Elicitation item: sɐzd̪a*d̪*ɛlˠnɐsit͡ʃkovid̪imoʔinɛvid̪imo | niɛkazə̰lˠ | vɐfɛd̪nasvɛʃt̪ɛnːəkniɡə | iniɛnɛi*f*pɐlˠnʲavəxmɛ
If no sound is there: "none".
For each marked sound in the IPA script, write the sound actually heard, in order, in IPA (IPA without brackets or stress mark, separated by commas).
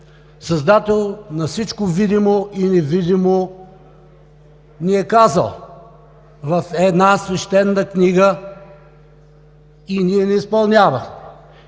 t̪, s